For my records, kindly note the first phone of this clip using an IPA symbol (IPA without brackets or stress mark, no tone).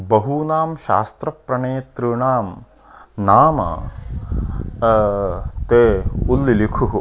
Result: b